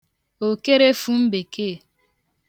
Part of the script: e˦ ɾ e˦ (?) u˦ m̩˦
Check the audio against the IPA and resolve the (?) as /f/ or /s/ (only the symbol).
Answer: f